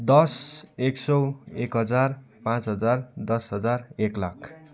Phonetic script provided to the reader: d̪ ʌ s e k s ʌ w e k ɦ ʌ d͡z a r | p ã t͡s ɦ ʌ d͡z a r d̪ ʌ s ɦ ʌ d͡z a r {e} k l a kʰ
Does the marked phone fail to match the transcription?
no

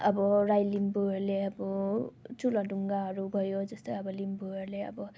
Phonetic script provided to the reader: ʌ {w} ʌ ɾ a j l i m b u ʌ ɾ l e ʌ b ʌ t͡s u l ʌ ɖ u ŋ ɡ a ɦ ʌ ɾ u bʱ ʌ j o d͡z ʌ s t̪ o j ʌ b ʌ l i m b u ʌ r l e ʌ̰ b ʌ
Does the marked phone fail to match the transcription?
yes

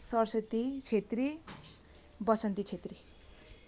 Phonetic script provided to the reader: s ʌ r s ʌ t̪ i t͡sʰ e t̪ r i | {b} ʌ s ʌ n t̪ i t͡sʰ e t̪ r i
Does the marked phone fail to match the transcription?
no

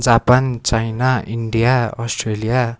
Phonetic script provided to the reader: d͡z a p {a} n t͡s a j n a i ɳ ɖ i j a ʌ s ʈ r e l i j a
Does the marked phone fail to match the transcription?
no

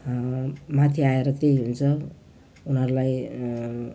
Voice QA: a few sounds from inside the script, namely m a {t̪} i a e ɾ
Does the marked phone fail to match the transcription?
yes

